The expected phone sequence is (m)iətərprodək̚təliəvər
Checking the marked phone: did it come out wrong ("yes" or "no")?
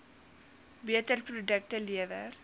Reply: yes